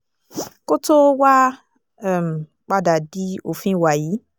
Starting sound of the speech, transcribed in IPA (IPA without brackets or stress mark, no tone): k